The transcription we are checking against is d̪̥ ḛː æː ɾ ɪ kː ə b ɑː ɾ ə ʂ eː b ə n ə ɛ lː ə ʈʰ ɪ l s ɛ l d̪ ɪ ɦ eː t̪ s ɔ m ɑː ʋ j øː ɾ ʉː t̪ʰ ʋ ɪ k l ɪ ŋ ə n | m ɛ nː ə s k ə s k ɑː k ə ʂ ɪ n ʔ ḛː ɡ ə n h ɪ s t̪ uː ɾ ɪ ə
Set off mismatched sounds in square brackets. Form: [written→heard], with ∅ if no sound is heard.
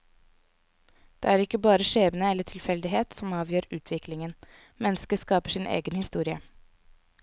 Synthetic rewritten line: d̪̥ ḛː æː ɾ ɪ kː ə b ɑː ɾ ə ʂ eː b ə n ə ɛ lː ə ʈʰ ɪ l [s→f] ɛ l d̪ ɪ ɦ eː t̪ s ɔ m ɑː ʋ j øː ɾ ʉː t̪ʰ ʋ ɪ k l ɪ ŋ ə n | m ɛ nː ə s k ə s k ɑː [k→p] ə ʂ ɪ n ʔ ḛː ɡ ə n h ɪ s t̪ uː ɾ ɪ ə